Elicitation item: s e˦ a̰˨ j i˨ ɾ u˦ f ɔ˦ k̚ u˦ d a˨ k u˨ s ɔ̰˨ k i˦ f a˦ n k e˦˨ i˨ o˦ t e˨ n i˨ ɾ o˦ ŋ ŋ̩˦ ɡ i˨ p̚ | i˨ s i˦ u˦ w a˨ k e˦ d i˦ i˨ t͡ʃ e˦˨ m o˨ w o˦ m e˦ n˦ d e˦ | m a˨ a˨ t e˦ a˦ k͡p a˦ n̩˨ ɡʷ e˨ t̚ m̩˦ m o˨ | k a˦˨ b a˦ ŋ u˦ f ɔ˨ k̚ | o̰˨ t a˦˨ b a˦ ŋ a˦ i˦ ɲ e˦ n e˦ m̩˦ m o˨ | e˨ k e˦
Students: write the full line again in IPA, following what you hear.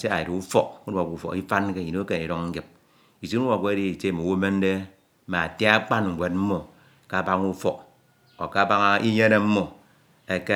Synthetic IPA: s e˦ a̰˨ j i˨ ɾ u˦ f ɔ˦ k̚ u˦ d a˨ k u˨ f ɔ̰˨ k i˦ f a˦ n k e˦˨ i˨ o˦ k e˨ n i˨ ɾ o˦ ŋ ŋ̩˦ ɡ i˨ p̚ | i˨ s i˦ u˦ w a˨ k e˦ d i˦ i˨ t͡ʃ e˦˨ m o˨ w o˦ m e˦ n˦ d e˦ | m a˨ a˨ t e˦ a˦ k͡p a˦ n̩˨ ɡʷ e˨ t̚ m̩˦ m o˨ | k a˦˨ b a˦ ŋ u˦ f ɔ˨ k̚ | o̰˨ k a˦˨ b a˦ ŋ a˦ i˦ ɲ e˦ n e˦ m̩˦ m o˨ | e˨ k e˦